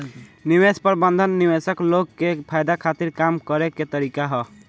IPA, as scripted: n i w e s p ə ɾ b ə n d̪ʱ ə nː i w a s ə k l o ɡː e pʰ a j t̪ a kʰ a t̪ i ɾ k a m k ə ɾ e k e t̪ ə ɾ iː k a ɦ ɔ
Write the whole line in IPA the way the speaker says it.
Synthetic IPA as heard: n i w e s p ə ɾ b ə n d̪ʱ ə nː i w e s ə k l o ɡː e pʰ a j d̪ a kʰ a t̪ i ɾ k a m k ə ɾ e k e t̪ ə ɾ i k a ɦ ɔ